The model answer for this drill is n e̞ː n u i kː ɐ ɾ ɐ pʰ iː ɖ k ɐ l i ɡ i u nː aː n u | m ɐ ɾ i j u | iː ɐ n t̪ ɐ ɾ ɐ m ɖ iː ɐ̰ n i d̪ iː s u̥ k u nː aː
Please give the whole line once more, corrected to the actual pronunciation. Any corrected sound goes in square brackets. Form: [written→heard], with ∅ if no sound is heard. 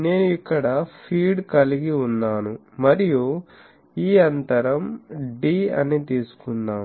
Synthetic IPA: n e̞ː n u i kː ɐ [ɾ→ɽ] ɐ pʰ iː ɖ k ɐ l i ɡ i u nː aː n u | m ɐ ɾ i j u | iː ɐ n t̪ ɐ ɾ ɐ m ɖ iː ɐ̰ n i [d̪→t̪] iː s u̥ k u nː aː

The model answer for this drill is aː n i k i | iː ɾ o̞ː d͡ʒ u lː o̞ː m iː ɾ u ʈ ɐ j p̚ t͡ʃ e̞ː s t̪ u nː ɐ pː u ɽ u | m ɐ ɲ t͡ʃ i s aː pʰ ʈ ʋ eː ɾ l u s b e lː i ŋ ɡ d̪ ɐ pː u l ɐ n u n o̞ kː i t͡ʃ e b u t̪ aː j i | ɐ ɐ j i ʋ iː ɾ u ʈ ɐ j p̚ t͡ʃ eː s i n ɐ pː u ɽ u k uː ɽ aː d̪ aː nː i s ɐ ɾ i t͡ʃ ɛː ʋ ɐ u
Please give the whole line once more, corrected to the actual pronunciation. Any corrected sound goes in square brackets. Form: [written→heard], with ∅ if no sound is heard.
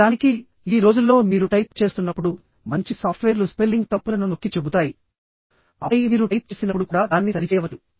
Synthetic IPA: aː n i k i | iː ɾ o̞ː d͡ʒ u lː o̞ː m iː ɾ u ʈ ɐ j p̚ t͡ʃ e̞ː s t̪ u nː ɐ pː u ɽ u | m ɐ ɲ t͡ʃ i s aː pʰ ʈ ʋ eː ɾ l u s [b→p] e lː i ŋ ɡ [d̪→t̪] ɐ pː u l ɐ n u n o̞ kː i t͡ʃ e b u t̪ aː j i | ɐ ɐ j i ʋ iː ɾ u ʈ ɐ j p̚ t͡ʃ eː s i n ɐ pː u ɽ u k uː ɽ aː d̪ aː nː i s ɐ ɾ i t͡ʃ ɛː ʋ ɐ u

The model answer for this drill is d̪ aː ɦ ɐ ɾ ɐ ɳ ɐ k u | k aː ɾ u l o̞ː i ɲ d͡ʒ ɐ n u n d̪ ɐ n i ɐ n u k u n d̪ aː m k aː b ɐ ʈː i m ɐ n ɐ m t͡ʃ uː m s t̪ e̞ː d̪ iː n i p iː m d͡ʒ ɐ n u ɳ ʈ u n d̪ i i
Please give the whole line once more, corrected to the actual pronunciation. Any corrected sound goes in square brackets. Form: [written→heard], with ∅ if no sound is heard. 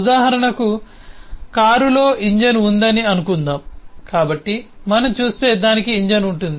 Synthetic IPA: d̪ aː ɦ ɐ ɾ ɐ ɳ ɐ k u | k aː ɾ u l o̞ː i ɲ d͡ʒ ɐ n u n d̪ ɐ n i ɐ n u k u n d̪ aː m k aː b ɐ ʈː i m ɐ n ɐ m t͡ʃ uː [m→∅] s t̪ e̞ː d̪ [iː→aː] n i [p→k] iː [m→ɲ] d͡ʒ ɐ n u ɳ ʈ u n d̪ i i

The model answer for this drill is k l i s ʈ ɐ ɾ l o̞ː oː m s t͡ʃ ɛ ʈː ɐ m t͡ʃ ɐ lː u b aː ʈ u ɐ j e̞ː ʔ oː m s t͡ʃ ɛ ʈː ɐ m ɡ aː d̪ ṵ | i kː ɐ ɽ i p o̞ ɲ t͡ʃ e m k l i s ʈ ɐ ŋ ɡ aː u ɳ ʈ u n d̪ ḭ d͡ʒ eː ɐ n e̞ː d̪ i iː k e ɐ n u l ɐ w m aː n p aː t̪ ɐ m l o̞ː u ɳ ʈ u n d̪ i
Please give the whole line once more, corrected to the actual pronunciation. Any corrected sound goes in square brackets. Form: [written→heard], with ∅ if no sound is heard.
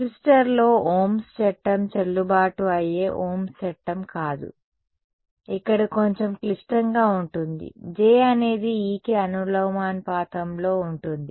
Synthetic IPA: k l i s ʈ ɐ ɾ l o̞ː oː m s t͡ʃ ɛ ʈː ɐ m t͡ʃ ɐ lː u b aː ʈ u ɐ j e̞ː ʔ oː m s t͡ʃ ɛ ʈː ɐ m [ɡ→k] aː d̪ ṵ | i kː ɐ ɽ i [p→k] o̞ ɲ t͡ʃ e m k l i s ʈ ɐ ŋ ɡ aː u ɳ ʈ u n d̪ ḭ d͡ʒ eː ɐ n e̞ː d̪ i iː k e ɐ n u l ɐ w m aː n p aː t̪ ɐ m l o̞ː u ɳ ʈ u n d̪ i

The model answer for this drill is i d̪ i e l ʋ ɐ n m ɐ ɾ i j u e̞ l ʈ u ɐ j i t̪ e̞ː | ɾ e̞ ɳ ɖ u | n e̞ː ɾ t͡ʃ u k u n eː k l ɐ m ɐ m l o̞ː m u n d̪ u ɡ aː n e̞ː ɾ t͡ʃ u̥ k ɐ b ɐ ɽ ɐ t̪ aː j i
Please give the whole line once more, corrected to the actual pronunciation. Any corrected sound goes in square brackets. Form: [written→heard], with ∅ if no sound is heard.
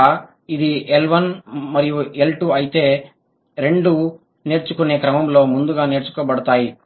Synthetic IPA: i d̪ i e l ʋ ɐ n m ɐ ɾ i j u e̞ l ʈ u ɐ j i t̪ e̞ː | ɾ e̞ ɳ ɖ u | n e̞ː ɾ t͡ʃ u k u n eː k [l→ɾ] ɐ m ɐ m l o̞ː m u n d̪ u ɡ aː n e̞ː ɾ t͡ʃ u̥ k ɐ b ɐ ɽ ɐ t̪ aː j i

